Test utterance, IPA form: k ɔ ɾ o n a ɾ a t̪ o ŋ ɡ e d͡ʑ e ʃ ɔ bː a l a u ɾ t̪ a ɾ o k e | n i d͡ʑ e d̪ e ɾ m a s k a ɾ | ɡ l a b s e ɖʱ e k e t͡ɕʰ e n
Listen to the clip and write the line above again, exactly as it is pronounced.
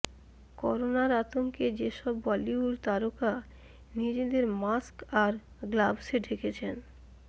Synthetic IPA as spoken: k ɔ ɾ o n a ɾ a t̪ o ŋ k e d͡ʑ e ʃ ɔ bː a l i u ɾ t̪ a ɾ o k a | n i d͡ʑ e d̪ e ɾ m a s k a ɾ | ɡ l a b s e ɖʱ e k e t͡ɕʰ e n